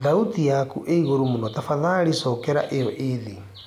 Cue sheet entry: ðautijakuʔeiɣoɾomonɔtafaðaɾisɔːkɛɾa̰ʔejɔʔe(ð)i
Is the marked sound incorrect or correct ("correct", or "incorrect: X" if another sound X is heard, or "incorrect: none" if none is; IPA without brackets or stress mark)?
correct